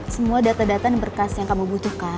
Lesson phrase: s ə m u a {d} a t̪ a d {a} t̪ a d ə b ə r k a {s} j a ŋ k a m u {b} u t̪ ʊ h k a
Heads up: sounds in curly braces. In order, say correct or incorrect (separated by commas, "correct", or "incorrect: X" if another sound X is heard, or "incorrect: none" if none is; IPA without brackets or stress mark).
correct, correct, correct, correct